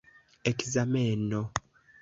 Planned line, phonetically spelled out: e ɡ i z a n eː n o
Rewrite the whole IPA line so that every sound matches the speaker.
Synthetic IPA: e k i z a m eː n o